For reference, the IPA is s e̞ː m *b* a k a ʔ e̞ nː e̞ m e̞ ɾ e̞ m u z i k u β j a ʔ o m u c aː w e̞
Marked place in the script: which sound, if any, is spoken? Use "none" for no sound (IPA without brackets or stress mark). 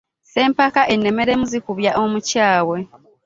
p